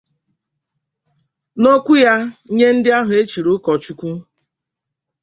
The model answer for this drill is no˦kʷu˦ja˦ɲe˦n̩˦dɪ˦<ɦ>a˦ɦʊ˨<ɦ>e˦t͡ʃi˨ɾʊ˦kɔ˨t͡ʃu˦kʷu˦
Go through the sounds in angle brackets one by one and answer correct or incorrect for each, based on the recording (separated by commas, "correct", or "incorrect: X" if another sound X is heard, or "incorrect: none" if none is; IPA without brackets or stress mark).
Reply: incorrect: none, incorrect: none